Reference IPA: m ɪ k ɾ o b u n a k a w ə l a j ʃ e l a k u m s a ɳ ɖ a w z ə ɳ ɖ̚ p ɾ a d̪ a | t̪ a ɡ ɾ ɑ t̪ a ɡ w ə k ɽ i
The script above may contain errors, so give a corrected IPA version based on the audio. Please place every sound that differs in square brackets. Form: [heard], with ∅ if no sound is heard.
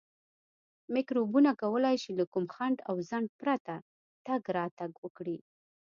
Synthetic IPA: m ɪ k ɾ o b u n a k a w ə l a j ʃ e l a k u m [x] a ɳ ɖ a w z [a] ɳ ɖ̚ p ɾ a [t̪] a | t̪ a ɡ ɾ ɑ t̪ a ɡ w ə k ɽ i